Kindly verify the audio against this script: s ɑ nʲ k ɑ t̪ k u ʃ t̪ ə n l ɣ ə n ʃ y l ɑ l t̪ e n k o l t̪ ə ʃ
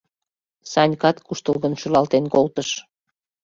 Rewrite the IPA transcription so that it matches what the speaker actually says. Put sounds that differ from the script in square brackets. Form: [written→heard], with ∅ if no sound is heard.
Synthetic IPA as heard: s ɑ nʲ k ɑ t̪ k u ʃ t̪ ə [n→∅] l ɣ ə n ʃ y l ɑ l t̪ e n k o l t̪ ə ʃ

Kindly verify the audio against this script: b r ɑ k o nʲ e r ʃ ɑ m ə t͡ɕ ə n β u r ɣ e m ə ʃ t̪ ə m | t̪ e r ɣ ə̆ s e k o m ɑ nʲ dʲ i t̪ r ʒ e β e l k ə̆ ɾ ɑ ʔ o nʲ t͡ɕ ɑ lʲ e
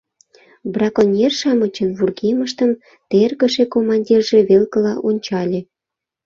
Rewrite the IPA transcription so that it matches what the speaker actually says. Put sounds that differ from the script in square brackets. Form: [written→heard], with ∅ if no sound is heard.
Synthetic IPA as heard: b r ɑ k o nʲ e r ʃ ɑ m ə t͡ɕ ə n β u r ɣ e m ə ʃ t̪ ə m | t̪ e r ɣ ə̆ [s→ʃ] e k o m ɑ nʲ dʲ i [t̪→∅] r ʒ e β e l k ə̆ [ɾ→l] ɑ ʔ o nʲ t͡ɕ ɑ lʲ e

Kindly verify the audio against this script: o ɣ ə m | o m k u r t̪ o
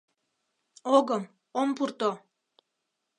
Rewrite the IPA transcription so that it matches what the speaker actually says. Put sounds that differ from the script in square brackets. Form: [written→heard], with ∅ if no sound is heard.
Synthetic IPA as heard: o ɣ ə m | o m [k→p] u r t̪ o

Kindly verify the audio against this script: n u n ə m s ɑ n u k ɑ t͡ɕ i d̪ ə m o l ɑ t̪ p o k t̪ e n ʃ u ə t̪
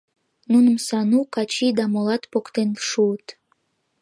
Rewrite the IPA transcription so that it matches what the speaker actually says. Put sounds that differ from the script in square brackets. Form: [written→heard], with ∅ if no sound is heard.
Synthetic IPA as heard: n u n ə m s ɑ n u k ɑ t͡ɕ i d̪ [ə→ɑ] m o l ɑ t̪ p o k t̪ e n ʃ u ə t̪

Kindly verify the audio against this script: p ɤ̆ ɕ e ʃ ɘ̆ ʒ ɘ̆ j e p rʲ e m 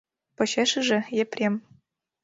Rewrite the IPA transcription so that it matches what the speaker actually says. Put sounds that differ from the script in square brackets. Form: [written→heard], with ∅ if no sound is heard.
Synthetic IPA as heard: p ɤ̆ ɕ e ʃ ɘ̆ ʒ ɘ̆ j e p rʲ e m

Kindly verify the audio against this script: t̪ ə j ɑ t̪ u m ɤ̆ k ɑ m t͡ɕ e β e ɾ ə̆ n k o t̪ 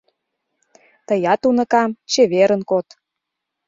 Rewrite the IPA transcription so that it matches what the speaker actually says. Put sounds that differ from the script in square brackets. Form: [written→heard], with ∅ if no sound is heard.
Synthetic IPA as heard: t̪ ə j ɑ t̪ u [m→n] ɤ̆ k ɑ m t͡ɕ e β e ɾ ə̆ n k o t̪

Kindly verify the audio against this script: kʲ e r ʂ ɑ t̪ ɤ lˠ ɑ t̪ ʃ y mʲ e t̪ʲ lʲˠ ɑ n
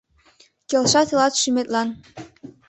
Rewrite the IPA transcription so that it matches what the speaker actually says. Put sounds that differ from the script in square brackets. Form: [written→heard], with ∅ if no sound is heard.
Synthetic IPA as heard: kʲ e [r→l] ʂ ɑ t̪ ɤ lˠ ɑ t̪ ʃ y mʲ e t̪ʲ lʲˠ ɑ n

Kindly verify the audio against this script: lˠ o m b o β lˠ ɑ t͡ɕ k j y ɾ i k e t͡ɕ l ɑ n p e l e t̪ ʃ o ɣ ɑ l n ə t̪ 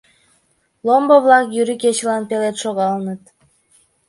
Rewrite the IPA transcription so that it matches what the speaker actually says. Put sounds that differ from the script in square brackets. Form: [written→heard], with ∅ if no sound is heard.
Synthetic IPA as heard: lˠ o m b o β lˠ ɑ [t͡ɕ→∅] k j y ɾ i k e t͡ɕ l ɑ n p e l e t̪ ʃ o ɣ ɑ l n ə t̪

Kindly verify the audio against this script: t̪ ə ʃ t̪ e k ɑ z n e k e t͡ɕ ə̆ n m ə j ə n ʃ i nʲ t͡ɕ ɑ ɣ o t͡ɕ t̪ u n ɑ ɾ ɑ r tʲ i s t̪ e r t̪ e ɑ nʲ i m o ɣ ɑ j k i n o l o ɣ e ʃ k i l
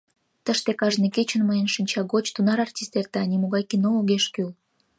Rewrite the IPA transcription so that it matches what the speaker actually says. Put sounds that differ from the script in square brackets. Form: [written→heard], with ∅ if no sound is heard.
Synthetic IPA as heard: t̪ ə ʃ t̪ e k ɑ [z→ʒ] n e k e t͡ɕ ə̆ n m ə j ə n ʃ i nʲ t͡ɕ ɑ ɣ o t͡ɕ t̪ u n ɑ ɾ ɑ r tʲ i s t̪ e r t̪ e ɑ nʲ i m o ɣ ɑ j k i n o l o ɣ e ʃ k [i→y] l

